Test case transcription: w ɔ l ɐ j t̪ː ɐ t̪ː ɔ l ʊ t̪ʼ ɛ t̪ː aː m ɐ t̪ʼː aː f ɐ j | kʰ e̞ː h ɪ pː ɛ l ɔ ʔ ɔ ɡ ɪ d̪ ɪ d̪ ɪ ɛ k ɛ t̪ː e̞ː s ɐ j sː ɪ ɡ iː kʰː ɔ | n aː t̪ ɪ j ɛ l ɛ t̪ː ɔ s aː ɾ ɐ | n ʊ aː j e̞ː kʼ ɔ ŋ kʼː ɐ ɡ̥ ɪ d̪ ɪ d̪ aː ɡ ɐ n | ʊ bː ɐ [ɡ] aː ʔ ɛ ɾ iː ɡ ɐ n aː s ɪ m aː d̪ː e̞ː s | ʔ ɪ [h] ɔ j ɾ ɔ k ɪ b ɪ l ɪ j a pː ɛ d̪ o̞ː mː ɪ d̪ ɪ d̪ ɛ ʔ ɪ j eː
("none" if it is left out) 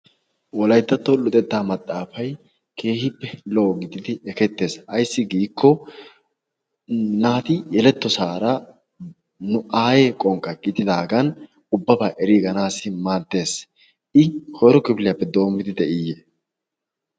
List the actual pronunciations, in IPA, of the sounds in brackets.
b, h

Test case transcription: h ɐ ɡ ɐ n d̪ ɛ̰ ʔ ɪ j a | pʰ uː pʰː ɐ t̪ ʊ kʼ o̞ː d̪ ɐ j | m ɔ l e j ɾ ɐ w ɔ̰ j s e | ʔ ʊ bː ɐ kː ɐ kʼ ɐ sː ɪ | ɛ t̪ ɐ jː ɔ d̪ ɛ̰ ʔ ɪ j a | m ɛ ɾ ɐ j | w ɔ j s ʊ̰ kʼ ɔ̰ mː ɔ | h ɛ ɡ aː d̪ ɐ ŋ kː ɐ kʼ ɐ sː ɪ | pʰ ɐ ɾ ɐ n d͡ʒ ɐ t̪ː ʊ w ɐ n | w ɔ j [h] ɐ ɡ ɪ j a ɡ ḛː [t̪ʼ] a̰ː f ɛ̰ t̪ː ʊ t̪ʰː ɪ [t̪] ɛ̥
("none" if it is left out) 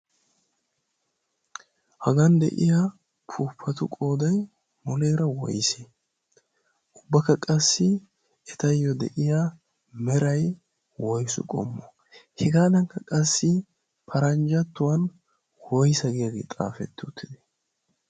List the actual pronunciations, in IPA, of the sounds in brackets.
s, t̪ʼ, d̪

